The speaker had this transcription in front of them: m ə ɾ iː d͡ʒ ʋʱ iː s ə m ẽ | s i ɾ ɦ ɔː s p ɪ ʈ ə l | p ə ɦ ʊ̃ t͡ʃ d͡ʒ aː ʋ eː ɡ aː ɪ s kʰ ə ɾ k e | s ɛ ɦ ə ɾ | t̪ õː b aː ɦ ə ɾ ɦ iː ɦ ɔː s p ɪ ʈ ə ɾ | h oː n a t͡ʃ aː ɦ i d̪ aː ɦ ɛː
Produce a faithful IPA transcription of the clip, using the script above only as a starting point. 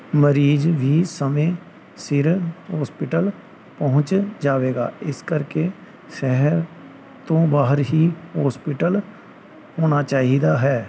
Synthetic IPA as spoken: m ə ɾ iː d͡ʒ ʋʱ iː s ə m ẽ | s ɪ ɾ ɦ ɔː s p ɪ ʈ ə l | p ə ɦ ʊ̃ t͡ʃ d͡ʒ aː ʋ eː ɡ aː ɪ s k ə ɾ k e | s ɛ ɦ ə ɾ | t̪ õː b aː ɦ ə ɾ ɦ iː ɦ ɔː s p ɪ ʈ ə l | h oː n a t͡ʃ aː ɦ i d̪ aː ɦ ɛː